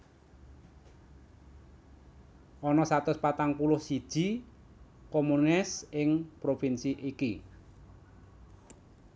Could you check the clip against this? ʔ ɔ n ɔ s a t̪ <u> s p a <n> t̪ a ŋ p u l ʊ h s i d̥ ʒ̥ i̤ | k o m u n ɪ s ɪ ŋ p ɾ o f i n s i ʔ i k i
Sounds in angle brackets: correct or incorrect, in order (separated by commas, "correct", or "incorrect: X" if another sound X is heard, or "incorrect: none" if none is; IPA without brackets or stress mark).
incorrect: ʊ, incorrect: none